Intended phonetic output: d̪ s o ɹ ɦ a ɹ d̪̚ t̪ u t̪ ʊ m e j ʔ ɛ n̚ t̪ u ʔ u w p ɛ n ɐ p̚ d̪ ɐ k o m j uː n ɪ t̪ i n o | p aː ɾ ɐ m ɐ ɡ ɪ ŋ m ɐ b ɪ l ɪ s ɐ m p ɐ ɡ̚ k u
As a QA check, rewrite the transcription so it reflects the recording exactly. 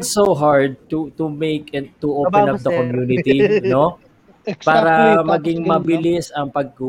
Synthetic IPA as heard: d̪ s o ɦ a ɹ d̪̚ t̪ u t̪ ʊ m e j k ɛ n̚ t̪ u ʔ o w p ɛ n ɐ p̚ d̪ ɐ k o m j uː n ɪ t̪ i n o | p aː ɾ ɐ m ɐ ɡ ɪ ŋ m ɐ b ɪ l ɪ s ɐ ŋ p ɐ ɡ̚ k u